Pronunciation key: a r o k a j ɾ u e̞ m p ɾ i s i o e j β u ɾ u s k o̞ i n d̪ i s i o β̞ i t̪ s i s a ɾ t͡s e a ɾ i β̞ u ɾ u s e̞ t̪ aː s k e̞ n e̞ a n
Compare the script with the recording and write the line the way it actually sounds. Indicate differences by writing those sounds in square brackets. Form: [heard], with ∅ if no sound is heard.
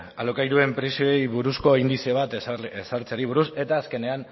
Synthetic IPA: a [l] o k a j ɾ u e̞ m p ɾ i s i o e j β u ɾ u s k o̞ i n d̪ i s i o β̞ [a] t̪ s [e] s a ɾ t͡s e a ɾ i β̞ u ɾ u s e̞ t̪ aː s k e̞ n e̞ a n

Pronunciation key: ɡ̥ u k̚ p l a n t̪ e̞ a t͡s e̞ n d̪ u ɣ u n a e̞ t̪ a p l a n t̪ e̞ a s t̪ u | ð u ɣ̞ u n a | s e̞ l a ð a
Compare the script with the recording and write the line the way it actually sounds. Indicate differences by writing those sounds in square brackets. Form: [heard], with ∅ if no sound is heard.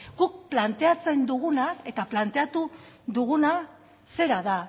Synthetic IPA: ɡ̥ u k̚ p l a n t̪ e̞ a t͡s e̞ n d̪ u ɣ u n a e̞ t̪ a p l a n t̪ e̞ a [∅] t̪ u | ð u ɣ̞ u n a | s e̞ [ɾ] a ð a

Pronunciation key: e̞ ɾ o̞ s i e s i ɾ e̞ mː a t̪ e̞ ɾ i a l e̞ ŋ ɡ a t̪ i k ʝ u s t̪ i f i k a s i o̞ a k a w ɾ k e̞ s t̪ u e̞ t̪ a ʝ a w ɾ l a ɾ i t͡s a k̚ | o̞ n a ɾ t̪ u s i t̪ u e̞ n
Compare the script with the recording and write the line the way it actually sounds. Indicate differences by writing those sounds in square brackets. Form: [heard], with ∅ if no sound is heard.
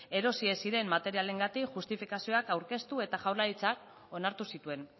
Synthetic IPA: e̞ ɾ o̞ s i e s i ɾ e̞ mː a t̪ e̞ ɾ i a l e̞ ŋ ɡ a t̪ i k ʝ u s t̪ i f i k a s i o̞ a k a w ɾ k e̞ s t̪ u e̞ t̪ a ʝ a w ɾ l a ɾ i t͡s a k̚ | o̞ n a ɾ t̪ u s i t̪ u e̞ n

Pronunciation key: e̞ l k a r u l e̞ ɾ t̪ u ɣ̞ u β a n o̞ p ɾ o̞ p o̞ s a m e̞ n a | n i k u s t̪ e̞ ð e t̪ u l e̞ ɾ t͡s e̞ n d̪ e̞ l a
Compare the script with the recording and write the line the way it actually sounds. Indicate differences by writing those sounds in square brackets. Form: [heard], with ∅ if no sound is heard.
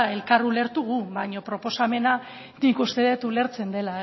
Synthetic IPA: e̞ l k a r u l e̞ ɾ t̪ u ɣ̞ u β a [ɲ] o̞ p ɾ o̞ p o̞ s a m e̞ n a | n i k u s t̪ e̞ ð e t̪ u l e̞ ɾ t͡s e̞ n d̪ e̞ l a

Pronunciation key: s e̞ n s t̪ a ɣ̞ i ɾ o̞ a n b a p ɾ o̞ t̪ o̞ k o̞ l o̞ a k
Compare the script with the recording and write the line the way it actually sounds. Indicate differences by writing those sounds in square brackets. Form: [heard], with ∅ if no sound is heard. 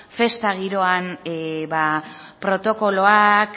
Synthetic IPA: [f] e̞ [∅] s t̪ a ɣ̞ i ɾ o̞ a n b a p ɾ o̞ t̪ o̞ k o̞ l o̞ a k

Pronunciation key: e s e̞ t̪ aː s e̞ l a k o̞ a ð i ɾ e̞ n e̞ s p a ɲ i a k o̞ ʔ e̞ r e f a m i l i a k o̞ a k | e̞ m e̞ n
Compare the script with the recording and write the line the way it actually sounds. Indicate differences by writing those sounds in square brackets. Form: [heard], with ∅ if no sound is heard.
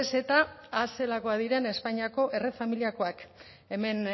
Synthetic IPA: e s e̞ t̪ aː s e̞ l a k o̞ a ð i ɾ e̞ n e̞ s p a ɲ i a k o̞ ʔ e̞ r e f a m i l i a k o̞ a k | e̞ m e̞ n

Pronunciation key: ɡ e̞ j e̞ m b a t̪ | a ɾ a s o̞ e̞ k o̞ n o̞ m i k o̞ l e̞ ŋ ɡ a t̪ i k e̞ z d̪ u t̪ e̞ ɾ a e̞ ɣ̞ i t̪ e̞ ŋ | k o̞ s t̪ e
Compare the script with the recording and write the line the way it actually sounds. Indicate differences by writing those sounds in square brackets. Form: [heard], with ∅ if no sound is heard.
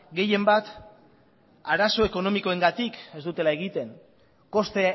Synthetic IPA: ɡ e̞ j e̞ m b a t̪ | a ɾ a s o̞ e̞ k o̞ n o̞ m i k o̞ [∅] e̞ ŋ ɡ a t̪ i k e̞ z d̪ u t̪ e̞ [l] a e̞ ɣ̞ i t̪ e̞ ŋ | k o̞ s t̪ e

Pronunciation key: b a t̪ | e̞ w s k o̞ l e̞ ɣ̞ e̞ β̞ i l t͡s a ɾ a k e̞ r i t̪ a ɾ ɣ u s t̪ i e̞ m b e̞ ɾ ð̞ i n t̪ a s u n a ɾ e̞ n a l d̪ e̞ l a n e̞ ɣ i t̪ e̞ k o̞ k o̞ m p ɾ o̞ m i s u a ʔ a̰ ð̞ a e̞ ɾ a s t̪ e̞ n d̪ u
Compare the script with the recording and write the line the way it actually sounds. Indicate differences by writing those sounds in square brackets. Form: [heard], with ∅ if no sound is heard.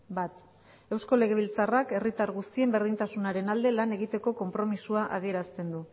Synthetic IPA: b a t̪ | e̞ w s k o̞ l e̞ ɣ̞ e̞ β̞ i l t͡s a [r] a k e̞ r i t̪ a ɾ ɣ u s t̪ i e̞ m b e̞ ɾ ð̞ i n t̪ a s u n a ɾ e̞ n a l d̪ e̞ l a n e̞ ɣ i t̪ e̞ k o̞ k o̞ m p ɾ o̞ m i s u a ʔ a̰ ð̞ [i] e̞ ɾ a s t̪ e̞ n d̪ u

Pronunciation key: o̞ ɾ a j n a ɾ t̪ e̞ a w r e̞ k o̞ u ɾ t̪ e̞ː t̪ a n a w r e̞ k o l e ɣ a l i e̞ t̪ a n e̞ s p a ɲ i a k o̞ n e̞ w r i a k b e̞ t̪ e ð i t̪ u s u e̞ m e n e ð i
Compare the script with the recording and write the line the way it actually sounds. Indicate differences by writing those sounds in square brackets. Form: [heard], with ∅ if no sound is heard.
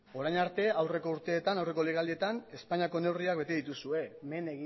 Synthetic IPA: o̞ ɾ a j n a ɾ t̪ e̞ a w r e̞ k o̞ u ɾ t̪ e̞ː t̪ a n a w r e̞ k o l e ɣ a l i e̞ t̪ a n e̞ s p a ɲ i a k o̞ n e̞ w r i a k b e̞ t̪ e ð i t̪ u s u e̞ m e n e [ɣ] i

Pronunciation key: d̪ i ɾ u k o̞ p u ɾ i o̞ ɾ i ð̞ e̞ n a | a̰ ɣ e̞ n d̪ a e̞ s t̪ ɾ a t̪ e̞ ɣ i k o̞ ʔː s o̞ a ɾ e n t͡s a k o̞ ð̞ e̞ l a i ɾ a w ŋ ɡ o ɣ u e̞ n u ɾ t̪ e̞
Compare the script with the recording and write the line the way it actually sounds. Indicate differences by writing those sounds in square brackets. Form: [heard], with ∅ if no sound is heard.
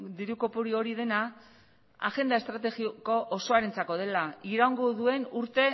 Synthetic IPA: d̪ i ɾ u k o̞ p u ɾ i o̞ ɾ i ð̞ e̞ n a | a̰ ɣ e̞ n d̪ a e̞ s t̪ ɾ a t̪ e̞ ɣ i k o̞ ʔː s o̞ a ɾ e n t͡s a k o̞ ð̞ e̞ l a i ɾ a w ŋ ɡ o [ð] u e̞ n u ɾ t̪ e̞

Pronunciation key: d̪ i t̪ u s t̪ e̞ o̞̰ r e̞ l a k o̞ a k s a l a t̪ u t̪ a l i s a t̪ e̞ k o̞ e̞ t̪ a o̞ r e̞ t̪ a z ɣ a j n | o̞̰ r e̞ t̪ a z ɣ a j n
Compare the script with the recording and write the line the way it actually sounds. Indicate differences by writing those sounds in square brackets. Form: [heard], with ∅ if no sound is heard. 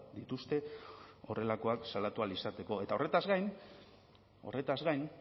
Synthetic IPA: d̪ i t̪ u s t̪ e̞ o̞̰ r e̞ l a k o̞ a k s a l a t̪ u [∅] a l i s a t̪ e̞ k o̞ e̞ t̪ a o̞ r e̞ t̪ a z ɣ a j n | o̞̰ r e̞ t̪ a z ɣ a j n

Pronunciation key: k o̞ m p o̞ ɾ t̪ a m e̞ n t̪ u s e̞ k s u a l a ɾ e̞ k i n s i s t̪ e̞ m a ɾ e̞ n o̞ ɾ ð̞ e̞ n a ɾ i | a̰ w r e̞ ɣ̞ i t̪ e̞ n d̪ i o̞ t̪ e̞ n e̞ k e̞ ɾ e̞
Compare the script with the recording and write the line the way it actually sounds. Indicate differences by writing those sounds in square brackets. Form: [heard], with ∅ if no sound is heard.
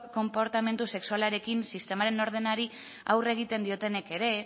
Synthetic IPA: k o̞ m p o̞ ɾ t̪ a m e̞ n t̪ u s e̞ k s u a l a ɾ e̞ k i n s i s t̪ e̞ m a ɾ e̞ n o̞ ɾ ð̞ e̞ n a ɾ i | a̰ w r e̞ ɣ̞ i t̪ e̞ n d̪ i o̞ t̪ e̞ n e̞ k e̞ ɾ e̞

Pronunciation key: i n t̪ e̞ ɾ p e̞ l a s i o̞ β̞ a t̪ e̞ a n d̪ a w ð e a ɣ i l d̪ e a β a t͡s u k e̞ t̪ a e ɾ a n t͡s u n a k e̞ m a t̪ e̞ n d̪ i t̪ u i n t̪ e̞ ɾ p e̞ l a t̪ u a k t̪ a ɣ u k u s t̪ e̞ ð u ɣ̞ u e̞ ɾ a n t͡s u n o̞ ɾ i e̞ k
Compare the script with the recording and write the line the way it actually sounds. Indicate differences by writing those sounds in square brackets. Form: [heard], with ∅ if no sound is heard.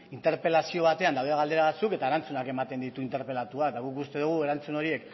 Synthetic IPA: i n t̪ e̞ ɾ p e̞ l a s i o̞ β̞ a t̪ e̞ a n d̪ a w ð e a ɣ [a] l d̪ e a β a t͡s u k e̞ t̪ a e ɾ a n t͡s u n a k e̞ m a t̪ e̞ n d̪ i t̪ u i n t̪ e̞ ɾ p e̞ l a t̪ u a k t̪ a ɣ u k u s t̪ e̞ ð u ɣ̞ u e̞ ɾ a n t͡s u n o̞ ɾ i e̞ k

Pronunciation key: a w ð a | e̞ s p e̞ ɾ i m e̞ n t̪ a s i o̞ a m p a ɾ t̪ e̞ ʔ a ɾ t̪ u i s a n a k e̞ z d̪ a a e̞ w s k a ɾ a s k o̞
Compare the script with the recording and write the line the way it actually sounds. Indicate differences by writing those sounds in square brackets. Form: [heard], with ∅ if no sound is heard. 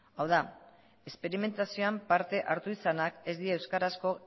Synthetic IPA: a w ð a | e̞ s p e̞ ɾ i m e̞ n t̪ a s i o̞ a m p a ɾ t̪ e̞ ʔ a ɾ t̪ u i s a n a k e̞ z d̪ [i] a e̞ w s k a ɾ a s k o̞

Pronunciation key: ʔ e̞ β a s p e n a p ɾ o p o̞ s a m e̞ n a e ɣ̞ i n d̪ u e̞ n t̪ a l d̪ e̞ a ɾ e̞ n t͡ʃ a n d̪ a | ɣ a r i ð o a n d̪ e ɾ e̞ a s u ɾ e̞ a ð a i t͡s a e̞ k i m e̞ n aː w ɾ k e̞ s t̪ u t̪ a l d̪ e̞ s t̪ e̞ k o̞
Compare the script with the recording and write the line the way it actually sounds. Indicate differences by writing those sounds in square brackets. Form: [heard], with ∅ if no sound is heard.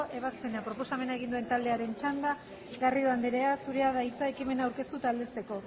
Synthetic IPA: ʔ e̞ β a s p e n a p ɾ o p o̞ s a m e̞ n a e ɣ̞ i n d̪ u e̞ n t̪ a l d̪ e̞ a ɾ e̞ n t͡ʃ a n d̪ a | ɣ a r i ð o a n d̪ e ɾ e̞ a s u ɾ e̞ a ð a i t͡s a e̞ k i m e̞ n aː w ɾ k e̞ s t̪ u t̪ a l d̪ e̞ s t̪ e̞ k o̞

